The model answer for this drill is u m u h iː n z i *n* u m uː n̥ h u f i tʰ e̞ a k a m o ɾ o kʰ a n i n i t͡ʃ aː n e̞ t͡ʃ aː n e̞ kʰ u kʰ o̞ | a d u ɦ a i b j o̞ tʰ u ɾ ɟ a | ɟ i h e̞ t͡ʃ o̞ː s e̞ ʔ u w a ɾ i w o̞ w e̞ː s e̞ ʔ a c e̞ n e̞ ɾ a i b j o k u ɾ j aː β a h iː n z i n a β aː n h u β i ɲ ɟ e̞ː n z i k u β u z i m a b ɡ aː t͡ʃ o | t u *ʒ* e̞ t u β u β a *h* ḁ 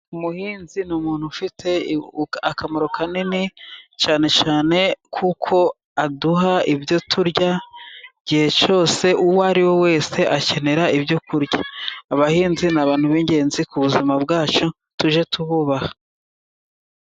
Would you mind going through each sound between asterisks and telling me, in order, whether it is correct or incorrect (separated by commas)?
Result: correct, correct, correct